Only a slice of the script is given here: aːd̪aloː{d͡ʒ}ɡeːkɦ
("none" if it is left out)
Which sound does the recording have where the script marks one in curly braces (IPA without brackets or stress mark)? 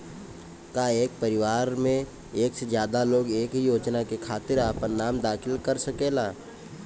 none